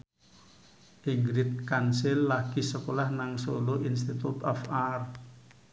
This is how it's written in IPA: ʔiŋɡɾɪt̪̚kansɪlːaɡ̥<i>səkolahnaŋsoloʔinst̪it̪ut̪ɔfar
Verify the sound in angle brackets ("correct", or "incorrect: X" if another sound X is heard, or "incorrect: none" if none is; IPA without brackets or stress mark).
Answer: correct